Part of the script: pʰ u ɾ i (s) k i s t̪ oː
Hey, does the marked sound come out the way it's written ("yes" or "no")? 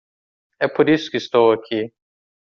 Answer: yes